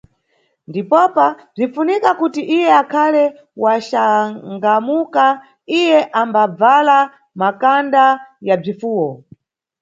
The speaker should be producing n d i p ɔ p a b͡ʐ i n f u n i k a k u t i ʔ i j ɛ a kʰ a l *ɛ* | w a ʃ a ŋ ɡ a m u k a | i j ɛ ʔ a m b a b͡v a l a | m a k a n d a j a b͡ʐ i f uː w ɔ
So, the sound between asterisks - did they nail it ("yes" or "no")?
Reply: yes